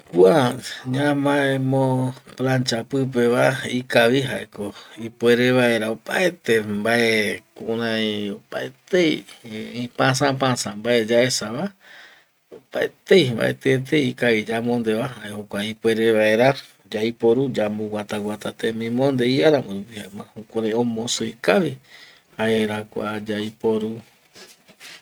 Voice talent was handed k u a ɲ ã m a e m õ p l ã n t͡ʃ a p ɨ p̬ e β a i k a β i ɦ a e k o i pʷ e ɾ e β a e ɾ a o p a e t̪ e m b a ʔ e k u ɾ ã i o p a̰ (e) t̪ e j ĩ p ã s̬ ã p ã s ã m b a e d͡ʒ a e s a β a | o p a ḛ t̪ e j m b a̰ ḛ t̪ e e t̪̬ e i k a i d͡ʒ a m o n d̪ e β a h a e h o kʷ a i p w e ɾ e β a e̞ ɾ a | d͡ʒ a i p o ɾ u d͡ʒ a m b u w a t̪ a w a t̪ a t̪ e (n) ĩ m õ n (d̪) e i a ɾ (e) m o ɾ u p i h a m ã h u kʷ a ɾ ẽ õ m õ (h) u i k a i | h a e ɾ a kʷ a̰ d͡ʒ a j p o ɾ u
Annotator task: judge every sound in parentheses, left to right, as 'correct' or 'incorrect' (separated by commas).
correct, incorrect, correct, incorrect, incorrect